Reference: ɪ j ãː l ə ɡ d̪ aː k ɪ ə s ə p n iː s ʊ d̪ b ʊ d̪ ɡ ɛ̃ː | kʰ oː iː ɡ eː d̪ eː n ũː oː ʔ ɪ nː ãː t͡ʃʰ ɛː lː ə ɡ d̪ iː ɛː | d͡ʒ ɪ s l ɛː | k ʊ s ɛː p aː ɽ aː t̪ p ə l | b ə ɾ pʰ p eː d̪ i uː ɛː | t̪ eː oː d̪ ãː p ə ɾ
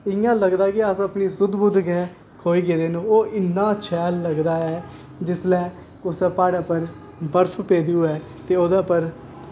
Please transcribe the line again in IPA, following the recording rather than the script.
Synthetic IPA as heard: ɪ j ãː l ə ɡ d̪ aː k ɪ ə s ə p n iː s ʊ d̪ b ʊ d̪ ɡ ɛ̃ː | kʰ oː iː ɡ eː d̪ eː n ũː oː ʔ ɪ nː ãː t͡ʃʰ ɛː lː ə ɡ d̪ aː ɛː | d͡ʒ ɪ s l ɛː | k ʊ s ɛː p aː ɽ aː p ə ɾ | b ə ɾ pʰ p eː d̪ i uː ɛː | t̪ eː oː d̪ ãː p ə ɾ